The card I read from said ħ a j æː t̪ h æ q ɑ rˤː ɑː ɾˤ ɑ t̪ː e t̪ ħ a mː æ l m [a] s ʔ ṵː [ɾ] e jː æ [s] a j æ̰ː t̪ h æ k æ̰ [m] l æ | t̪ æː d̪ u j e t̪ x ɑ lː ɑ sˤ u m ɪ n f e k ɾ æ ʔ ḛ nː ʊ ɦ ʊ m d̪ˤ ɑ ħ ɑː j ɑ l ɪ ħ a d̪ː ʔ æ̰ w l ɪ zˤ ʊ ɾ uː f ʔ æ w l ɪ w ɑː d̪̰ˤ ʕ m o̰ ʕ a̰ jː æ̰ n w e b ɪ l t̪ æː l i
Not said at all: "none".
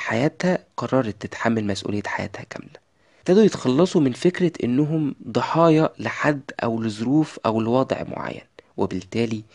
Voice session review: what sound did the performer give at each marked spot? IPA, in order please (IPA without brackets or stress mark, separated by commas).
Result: æ, l, ħ, m